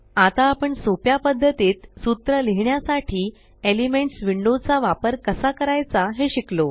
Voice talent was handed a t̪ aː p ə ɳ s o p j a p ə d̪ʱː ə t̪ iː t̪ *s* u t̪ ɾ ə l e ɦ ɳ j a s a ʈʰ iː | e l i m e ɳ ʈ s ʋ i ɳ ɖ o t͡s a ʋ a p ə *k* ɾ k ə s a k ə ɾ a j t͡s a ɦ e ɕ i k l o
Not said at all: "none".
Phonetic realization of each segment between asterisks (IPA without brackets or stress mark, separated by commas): s, none